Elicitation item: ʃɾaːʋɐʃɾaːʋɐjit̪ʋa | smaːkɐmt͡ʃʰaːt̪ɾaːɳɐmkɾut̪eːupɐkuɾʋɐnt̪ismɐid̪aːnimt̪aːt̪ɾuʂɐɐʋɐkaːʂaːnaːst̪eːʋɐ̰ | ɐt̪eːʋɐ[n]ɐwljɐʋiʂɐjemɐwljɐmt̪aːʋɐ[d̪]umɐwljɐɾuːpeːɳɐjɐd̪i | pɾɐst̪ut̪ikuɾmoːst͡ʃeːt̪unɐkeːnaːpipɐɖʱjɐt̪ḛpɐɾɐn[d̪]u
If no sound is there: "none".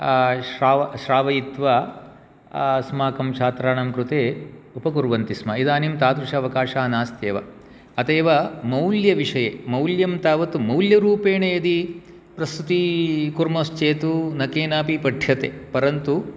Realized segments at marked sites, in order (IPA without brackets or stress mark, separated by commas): m, t̪, t̪